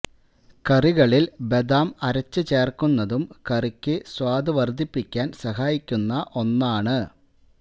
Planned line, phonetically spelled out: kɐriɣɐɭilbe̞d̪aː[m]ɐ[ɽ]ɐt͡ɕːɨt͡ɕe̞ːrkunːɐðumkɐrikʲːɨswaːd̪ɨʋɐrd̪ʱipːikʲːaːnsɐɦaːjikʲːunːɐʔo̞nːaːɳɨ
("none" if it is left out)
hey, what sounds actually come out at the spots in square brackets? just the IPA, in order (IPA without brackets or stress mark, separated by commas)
m, ɾ